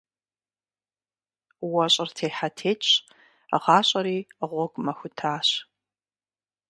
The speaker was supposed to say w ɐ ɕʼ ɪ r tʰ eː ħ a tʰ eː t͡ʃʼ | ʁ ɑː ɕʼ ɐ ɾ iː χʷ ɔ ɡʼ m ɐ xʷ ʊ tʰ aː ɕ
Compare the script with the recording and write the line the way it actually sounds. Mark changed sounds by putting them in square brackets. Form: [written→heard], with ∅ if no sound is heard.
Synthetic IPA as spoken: w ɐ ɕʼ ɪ r tʰ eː ħ a tʰ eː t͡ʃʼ | ʁ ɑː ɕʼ ɐ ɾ iː [χʷ→ʁʷ] ɔ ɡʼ m ɐ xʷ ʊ tʰ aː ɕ

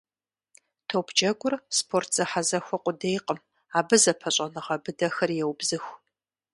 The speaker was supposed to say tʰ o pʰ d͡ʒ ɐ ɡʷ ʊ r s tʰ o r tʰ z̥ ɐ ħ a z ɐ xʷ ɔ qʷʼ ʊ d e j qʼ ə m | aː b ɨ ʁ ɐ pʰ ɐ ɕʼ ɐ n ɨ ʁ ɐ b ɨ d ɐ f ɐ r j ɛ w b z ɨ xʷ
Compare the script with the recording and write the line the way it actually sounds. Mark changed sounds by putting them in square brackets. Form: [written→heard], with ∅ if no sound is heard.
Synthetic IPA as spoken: tʰ o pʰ d͡ʒ ɐ ɡʷ ʊ r s [tʰ→pʰ] o r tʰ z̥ ɐ ħ a z ɐ xʷ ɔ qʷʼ ʊ d e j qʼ ə m | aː b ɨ [ʁ→z] ɐ pʰ ɐ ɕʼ ɐ n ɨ ʁ ɐ b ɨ d ɐ [f→x] ɐ r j ɛ w b z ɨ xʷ

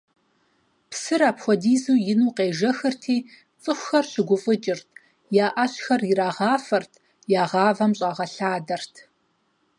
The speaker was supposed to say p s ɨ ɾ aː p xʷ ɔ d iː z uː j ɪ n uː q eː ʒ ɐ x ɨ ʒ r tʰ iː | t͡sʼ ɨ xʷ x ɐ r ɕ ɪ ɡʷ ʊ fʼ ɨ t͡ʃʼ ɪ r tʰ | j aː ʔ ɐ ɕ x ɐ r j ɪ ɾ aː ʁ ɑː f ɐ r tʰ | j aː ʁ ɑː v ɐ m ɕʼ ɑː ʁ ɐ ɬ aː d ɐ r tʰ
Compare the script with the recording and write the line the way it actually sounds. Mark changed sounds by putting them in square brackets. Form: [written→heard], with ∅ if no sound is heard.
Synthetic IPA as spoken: p s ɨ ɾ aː p xʷ ɔ d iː z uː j ɪ n uː q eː ʒ ɐ x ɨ [ʒ→∅] r tʰ iː | t͡sʼ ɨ xʷ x ɐ r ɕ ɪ ɡʷ ʊ fʼ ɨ t͡ʃʼ ɪ r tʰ | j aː ʔ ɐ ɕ x ɐ r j ɪ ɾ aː ʁ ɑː f ɐ r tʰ | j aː ʁ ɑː v ɐ m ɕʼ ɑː ʁ ɐ ɬ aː d ɐ r tʰ

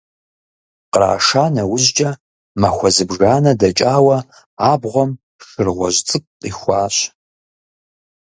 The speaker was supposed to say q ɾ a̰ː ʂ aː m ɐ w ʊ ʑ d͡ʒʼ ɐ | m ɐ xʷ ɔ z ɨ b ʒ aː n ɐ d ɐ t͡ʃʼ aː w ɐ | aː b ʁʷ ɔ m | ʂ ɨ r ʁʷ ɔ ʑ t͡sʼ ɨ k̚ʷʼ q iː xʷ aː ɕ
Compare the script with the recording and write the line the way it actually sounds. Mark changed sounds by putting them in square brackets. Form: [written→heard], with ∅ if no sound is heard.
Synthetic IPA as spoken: q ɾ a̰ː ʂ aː [m→n] ɐ w ʊ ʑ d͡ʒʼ ɐ | m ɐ xʷ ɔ z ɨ b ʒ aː n ɐ d ɐ t͡ʃʼ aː w ɐ | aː b ʁʷ ɔ m | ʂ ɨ r ʁʷ ɔ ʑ t͡sʼ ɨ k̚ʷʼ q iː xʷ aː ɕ

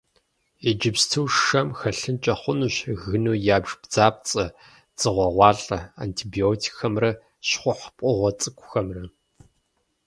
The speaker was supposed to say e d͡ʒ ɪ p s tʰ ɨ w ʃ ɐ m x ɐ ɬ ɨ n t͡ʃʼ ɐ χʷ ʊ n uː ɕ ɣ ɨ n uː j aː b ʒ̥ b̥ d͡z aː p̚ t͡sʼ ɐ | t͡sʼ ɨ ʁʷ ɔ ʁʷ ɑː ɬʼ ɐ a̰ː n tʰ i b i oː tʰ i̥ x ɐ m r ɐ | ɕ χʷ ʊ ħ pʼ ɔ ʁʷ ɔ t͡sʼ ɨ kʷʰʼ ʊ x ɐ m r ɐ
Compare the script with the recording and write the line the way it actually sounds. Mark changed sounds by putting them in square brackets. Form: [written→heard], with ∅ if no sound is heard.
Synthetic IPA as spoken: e d͡ʒ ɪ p s tʰ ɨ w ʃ ɐ m x ɐ ɬ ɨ n t͡ʃʼ ɐ χʷ ʊ n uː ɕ ɣ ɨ n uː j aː b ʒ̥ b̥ d͡z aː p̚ t͡sʼ ɐ | t͡sʼ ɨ ʁʷ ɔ ʁʷ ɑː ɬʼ ɐ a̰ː n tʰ i b i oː tʰ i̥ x ɐ m r ɐ | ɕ χʷ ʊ ħ pʼ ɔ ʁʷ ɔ t͡sʼ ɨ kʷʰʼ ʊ x ɐ m r ɐ

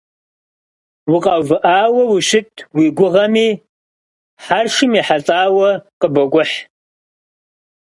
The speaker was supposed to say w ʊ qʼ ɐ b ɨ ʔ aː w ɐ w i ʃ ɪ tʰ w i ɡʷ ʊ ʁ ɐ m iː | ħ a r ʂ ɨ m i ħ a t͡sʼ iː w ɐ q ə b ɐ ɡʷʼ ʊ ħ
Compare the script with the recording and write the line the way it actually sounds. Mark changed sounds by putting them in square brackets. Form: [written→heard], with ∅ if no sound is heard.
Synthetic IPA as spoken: w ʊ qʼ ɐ [b→v] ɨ ʔ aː w ɐ w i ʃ ɪ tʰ w i ɡʷ ʊ ʁ ɐ m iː | ħ a r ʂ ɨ m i ħ a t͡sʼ [iː→aː] w ɐ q ə b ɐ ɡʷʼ ʊ ħ

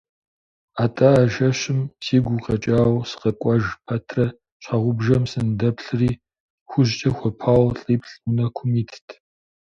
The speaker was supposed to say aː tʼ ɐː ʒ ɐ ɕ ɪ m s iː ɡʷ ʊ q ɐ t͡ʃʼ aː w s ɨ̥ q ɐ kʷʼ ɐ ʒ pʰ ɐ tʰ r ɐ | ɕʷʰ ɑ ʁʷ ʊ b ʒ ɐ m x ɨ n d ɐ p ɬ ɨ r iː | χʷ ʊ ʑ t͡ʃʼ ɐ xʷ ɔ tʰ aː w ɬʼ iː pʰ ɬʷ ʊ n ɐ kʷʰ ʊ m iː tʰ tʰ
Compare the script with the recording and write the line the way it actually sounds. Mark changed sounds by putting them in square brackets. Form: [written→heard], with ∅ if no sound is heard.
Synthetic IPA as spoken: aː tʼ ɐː ʒ ɐ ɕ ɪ m s iː ɡʷ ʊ q ɐ t͡ʃʼ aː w s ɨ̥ q ɐ kʷʼ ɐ ʒ pʰ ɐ tʰ r ɐ | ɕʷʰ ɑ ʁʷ ʊ b ʒ ɐ m [x→s] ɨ n d ɐ p ɬ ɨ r iː | [χʷ→xʷ] ʊ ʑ t͡ʃʼ ɐ xʷ ɔ [tʰ→pʰ] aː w ɬʼ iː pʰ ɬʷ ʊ n ɐ kʷʰ ʊ m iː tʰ tʰ

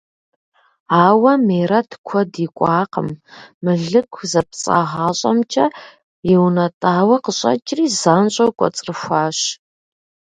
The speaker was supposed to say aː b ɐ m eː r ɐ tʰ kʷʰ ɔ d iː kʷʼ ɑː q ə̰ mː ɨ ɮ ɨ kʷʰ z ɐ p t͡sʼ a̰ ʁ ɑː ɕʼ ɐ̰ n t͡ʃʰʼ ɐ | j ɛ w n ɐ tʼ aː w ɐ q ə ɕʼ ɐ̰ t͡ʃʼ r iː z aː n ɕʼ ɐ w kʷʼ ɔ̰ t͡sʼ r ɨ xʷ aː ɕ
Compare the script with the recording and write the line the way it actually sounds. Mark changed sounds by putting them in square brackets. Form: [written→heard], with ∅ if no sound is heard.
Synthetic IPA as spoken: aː [b→w] ɐ m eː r ɐ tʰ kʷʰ ɔ d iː kʷʼ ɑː q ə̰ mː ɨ ɮ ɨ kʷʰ z ɐ p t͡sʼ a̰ ʁ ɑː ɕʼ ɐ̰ [n→m] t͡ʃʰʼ ɐ | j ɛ w n ɐ tʼ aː w ɐ q ə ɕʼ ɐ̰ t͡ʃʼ r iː z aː n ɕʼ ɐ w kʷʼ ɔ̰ t͡sʼ r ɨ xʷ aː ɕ

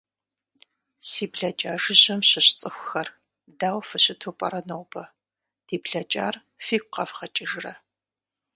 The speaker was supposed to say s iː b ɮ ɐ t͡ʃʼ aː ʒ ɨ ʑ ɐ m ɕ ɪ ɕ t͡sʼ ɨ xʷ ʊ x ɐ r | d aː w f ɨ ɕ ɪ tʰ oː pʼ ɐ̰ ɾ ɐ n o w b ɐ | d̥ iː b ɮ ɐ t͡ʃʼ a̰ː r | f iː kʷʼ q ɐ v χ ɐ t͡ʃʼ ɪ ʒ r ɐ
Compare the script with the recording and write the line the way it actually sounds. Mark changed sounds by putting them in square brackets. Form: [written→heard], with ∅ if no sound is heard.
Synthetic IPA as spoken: s iː b ɮ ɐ t͡ʃʼ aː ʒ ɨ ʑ ɐ m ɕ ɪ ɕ t͡sʼ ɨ xʷ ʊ x ɐ r | d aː w f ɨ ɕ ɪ tʰ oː pʼ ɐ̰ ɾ ɐ n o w b ɐ | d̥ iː b ɮ ɐ t͡ʃʼ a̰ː r | f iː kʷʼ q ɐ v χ ɐ t͡ʃʼ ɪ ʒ r ɐ

